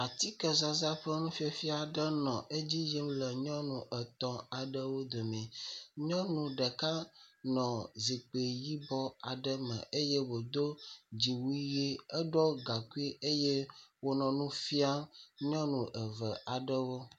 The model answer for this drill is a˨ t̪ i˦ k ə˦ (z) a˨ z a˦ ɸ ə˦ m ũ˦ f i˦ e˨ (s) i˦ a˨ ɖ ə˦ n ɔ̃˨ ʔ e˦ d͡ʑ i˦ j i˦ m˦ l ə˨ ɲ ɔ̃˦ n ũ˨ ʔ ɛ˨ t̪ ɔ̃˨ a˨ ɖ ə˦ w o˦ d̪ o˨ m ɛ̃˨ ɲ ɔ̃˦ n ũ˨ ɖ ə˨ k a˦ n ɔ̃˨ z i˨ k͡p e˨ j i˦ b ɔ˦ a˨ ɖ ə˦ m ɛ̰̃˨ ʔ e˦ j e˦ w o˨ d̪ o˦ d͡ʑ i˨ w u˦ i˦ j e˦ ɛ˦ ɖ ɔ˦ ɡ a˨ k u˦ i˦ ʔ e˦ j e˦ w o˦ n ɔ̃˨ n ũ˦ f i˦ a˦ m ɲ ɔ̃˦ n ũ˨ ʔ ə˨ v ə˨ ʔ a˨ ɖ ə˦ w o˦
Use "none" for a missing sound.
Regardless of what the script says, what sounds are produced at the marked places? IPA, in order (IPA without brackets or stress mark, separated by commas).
z, f